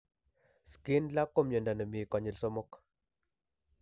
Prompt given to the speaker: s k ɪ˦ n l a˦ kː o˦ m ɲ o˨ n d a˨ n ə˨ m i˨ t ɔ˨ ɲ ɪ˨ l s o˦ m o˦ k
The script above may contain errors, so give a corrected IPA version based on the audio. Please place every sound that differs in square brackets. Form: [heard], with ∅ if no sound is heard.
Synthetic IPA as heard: s k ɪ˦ n l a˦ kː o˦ m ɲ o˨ n d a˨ n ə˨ m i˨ [k] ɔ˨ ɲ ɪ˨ l s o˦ m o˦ k